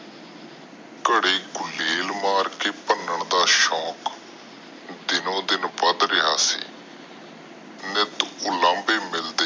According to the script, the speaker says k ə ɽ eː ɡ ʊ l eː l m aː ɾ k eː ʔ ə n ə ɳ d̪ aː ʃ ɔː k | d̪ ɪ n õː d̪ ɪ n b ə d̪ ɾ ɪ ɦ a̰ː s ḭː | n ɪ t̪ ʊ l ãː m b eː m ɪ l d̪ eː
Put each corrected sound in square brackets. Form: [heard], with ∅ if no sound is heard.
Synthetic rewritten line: k ə ɽ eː ɡ ʊ l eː l m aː ɾ k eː [p] ə n ə ɳ d̪ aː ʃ ɔː k | d̪ ɪ n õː d̪ ɪ n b ə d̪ ɾ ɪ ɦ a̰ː s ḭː | n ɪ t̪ ʊ l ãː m b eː m ɪ l d̪ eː

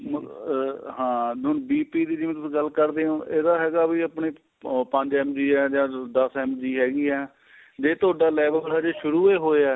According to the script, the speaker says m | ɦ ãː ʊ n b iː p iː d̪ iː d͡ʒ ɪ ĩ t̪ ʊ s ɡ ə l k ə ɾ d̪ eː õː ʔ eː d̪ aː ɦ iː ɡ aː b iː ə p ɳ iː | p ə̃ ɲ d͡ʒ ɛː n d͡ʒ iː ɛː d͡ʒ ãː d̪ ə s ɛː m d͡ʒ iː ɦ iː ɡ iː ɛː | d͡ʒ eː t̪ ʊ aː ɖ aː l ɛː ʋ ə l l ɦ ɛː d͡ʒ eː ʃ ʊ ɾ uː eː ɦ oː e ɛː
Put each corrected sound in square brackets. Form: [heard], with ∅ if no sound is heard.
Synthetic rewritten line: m | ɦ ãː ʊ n b iː p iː d̪ iː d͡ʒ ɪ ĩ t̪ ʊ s ɡ ə l k ə ɾ d̪ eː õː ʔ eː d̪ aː ɦ [ɛː] ɡ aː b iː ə p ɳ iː | p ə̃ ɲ d͡ʒ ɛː [m] d͡ʒ iː ɛː d͡ʒ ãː d̪ ə s ɛː m d͡ʒ iː ɦ [ɛː] ɡ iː ɛː | d͡ʒ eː t̪ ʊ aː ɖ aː l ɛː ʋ ə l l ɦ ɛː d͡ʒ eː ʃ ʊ ɾ uː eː ɦ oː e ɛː

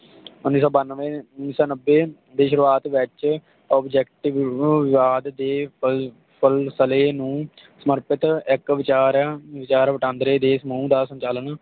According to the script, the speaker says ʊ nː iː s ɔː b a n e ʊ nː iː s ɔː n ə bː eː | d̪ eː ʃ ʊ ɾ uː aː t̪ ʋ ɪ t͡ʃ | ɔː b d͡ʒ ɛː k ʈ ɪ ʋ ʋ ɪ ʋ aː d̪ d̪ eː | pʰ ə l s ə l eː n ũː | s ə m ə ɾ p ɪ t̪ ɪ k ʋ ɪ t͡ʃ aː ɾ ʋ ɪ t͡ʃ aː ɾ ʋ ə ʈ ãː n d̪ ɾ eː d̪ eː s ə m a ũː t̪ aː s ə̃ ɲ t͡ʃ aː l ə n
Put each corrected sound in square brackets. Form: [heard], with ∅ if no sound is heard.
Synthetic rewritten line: ʊ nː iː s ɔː b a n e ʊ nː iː s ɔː n ə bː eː | d̪ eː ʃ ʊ ɾ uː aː t̪ ʋ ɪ t͡ʃ | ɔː b d͡ʒ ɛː k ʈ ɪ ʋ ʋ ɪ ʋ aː d̪ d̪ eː | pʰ ə l s ə l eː n ũː | s ə m ə ɾ p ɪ t̪ ɪ k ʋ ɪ t͡ʃ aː ɾ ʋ ɪ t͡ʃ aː ɾ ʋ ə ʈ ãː n d̪ ɾ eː d̪ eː s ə m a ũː [d̪] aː s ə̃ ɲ t͡ʃ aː l ə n

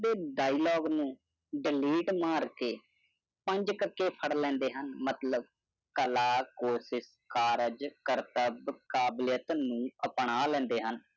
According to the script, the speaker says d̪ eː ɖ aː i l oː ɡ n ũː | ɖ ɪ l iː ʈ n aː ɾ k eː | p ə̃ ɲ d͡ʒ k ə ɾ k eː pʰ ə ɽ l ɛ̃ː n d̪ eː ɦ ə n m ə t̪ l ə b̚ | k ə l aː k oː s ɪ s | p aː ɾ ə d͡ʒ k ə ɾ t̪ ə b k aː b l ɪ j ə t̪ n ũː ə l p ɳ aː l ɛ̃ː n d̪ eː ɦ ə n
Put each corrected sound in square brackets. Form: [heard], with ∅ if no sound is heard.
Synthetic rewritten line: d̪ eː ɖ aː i l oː ɡ n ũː | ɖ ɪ l iː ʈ [m] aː ɾ k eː | p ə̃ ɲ d͡ʒ k ə ɾ k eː pʰ ə ɽ l ɛ̃ː n d̪ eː ɦ ə n m ə t̪ l ə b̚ | k ə l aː k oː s ɪ s | [k] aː ɾ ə d͡ʒ k ə ɾ t̪ ə b k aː b l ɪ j ə t̪ n ũː ə [∅] p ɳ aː l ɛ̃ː n d̪ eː ɦ ə n

